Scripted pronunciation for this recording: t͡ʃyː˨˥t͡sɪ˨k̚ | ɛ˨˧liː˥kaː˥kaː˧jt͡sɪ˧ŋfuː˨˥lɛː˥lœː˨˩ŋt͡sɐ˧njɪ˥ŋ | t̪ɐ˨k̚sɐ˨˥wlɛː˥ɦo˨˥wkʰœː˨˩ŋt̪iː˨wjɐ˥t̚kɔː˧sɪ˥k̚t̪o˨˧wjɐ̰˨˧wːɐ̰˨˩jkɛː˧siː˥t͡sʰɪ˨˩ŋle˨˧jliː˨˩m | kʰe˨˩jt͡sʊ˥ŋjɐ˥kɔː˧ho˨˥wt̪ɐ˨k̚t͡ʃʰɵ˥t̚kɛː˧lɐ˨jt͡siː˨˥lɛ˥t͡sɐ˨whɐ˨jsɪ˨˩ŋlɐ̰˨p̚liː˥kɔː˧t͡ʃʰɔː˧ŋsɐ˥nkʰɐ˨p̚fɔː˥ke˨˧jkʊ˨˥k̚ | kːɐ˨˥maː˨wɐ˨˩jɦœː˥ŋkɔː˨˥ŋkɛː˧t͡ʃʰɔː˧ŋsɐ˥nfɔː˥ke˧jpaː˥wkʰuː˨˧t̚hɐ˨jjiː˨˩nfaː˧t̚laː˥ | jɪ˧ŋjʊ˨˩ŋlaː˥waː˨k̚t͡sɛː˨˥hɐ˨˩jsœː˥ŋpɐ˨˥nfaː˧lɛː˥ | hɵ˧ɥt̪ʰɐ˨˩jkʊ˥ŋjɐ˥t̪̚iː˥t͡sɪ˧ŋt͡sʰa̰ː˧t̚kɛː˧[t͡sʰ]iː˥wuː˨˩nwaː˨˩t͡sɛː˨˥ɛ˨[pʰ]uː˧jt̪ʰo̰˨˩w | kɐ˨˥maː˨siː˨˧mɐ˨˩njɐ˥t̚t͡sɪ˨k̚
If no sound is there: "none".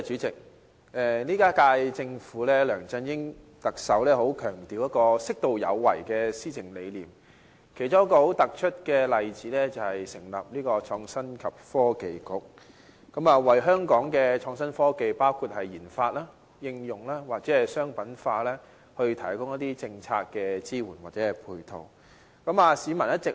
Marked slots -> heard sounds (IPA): t͡s, pʰ

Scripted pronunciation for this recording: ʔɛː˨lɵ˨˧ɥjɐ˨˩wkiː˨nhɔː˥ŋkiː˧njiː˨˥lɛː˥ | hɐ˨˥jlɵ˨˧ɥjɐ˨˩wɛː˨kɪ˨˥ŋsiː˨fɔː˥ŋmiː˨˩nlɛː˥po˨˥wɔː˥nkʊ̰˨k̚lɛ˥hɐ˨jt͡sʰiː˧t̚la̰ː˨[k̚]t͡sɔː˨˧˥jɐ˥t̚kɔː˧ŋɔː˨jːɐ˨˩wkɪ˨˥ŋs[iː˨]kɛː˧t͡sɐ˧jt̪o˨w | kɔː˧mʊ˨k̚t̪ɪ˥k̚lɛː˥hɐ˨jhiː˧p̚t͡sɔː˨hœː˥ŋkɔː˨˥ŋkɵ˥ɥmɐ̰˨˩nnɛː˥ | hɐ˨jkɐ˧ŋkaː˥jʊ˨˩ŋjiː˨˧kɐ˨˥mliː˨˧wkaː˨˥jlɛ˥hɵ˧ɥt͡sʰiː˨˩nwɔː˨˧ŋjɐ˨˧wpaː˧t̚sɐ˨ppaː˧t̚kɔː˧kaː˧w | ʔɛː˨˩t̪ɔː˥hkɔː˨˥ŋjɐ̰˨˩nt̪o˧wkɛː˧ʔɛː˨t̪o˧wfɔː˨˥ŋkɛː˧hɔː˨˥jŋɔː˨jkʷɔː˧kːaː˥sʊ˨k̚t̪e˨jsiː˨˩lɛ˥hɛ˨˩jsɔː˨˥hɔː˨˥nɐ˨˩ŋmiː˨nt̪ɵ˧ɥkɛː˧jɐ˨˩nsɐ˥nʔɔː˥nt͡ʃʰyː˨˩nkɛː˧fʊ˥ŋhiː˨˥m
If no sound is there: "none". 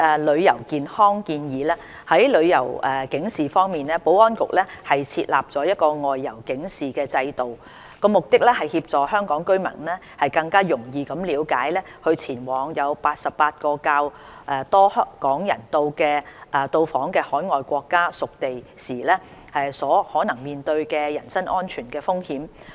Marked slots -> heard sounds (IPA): p̚, iː˨

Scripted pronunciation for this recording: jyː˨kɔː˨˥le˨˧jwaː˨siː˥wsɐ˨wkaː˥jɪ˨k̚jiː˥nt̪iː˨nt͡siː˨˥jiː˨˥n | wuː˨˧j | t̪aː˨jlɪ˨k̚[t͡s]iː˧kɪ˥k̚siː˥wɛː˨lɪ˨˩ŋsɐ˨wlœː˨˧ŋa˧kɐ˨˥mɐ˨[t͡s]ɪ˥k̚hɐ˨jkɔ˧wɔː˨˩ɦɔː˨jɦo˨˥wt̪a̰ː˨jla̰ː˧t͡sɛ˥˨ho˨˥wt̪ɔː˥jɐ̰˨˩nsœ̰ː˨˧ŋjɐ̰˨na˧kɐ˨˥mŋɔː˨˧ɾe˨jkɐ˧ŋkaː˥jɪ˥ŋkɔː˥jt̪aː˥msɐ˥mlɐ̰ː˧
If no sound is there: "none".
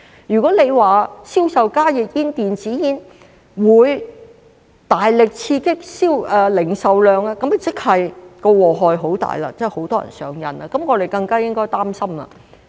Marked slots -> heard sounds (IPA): t͡sʰ, t͡s

